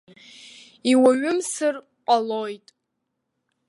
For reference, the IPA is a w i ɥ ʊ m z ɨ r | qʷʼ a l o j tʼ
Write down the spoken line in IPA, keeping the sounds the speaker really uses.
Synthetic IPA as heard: i w a ɥ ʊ m s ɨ r | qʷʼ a l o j tʼ